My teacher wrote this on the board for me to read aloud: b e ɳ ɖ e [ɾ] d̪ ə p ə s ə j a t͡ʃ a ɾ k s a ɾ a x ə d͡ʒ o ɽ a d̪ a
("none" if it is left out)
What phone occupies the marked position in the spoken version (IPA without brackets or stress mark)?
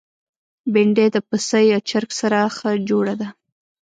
none